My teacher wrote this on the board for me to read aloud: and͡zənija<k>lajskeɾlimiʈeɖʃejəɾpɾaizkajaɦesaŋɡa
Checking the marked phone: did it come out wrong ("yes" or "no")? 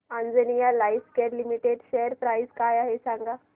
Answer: yes